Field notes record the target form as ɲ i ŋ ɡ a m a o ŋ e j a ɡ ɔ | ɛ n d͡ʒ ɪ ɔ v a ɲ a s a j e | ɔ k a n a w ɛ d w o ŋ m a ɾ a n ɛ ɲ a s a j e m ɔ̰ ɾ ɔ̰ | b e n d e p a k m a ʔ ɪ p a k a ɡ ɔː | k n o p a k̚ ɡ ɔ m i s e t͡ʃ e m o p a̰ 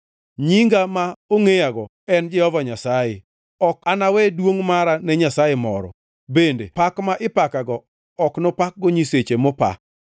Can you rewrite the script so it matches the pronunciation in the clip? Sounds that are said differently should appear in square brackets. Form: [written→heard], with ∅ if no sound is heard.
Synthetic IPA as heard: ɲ i ŋ ɡ a m a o ŋ e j a ɡ ɔ | ɛ n d͡ʒ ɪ ɔ v a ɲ a s a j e | ɔ k a n a w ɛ d w o ŋ m a ɾ a n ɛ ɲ a s a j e m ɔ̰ ɾ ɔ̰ | b e n d e p a k m a ʔ ɪ p a k a ɡ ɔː | k n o p a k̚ ɡ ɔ [m→ɲ] i s e t͡ʃ e m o p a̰